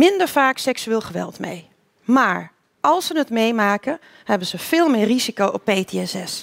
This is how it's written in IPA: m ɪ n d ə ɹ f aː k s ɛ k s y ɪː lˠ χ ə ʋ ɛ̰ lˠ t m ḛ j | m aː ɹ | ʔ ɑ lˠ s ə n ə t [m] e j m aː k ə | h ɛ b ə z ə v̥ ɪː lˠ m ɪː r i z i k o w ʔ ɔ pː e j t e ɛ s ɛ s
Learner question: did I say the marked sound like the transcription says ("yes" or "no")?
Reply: yes